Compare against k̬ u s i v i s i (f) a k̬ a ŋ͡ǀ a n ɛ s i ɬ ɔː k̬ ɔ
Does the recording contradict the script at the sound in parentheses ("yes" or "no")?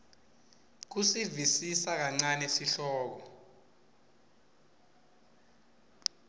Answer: yes